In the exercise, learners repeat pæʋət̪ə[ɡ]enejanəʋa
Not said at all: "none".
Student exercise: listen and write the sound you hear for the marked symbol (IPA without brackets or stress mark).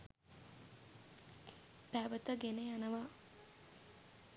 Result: ɡ